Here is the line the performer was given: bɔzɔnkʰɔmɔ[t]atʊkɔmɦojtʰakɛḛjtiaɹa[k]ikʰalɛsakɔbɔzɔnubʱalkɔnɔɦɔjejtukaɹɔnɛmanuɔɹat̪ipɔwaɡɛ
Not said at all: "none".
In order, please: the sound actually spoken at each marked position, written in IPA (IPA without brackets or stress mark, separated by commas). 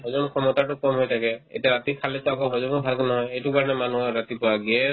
t, t